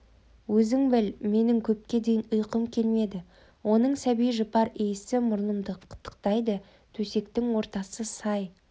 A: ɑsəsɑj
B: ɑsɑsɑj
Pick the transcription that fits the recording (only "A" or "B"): A